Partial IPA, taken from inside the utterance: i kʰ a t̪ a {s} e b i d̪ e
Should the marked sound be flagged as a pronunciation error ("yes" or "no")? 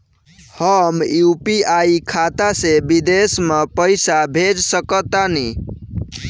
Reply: no